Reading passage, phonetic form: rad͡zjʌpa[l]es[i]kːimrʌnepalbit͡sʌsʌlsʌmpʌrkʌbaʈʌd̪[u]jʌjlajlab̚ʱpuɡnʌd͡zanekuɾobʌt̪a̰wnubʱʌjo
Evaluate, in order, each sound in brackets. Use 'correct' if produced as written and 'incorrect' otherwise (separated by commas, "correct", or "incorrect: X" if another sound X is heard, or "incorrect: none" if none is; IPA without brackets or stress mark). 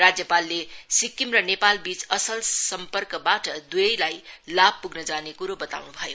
incorrect: lː, correct, correct